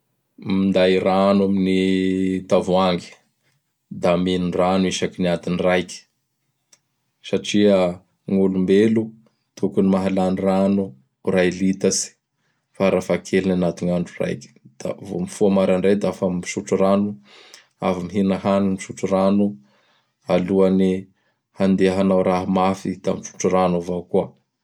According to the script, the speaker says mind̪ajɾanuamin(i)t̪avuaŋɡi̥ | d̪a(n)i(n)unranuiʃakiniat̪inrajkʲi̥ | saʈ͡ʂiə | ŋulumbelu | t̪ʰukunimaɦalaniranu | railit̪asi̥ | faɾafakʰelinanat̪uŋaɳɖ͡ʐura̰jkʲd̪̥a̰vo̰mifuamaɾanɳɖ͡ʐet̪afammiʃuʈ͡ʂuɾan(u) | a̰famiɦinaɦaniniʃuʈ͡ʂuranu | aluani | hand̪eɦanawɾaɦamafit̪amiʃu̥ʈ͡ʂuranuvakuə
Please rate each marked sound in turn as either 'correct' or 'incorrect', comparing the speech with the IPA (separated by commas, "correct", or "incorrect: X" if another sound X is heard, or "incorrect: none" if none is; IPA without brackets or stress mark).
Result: correct, incorrect: m, correct, correct